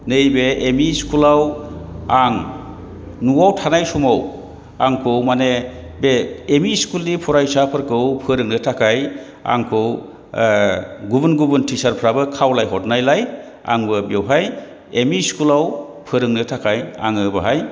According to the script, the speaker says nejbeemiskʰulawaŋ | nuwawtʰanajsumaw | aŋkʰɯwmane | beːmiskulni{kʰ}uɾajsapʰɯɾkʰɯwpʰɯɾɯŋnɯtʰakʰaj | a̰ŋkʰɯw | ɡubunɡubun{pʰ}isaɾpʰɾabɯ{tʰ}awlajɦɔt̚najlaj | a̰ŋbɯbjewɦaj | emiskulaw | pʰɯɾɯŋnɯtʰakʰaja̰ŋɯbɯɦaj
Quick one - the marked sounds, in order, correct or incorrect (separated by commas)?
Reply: incorrect, incorrect, incorrect